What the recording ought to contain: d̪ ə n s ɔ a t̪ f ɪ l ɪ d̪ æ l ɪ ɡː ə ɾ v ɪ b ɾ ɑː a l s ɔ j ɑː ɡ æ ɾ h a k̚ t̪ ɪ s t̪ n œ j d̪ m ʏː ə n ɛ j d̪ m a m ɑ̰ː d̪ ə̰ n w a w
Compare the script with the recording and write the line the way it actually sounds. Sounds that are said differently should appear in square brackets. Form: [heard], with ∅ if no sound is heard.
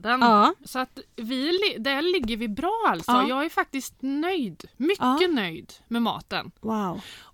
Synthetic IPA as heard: d̪ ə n s ɔ a t̪ [v] ɪ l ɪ d̪ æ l ɪ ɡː ə ɾ v ɪ b ɾ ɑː a l s ɔ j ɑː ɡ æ ɾ [f] a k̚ t̪ ɪ s t̪ n œ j d̪ m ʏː ə n [œ] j d̪ m [ɛ] m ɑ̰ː [t̪] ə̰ n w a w